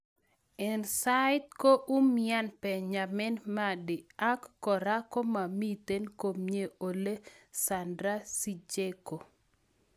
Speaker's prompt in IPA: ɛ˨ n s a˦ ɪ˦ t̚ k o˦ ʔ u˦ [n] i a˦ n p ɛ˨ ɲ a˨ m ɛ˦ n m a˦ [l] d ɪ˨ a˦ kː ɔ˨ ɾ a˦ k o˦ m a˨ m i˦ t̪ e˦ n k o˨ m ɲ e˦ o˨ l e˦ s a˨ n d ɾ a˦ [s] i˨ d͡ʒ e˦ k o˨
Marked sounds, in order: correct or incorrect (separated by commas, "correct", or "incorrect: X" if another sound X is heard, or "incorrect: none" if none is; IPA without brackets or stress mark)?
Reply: incorrect: m, incorrect: none, correct